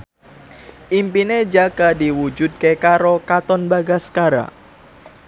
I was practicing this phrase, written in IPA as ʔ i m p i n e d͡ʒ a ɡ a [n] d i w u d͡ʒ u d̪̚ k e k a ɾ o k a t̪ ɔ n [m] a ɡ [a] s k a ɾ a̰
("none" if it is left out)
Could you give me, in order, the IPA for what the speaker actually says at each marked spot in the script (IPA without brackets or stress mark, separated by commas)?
none, b, a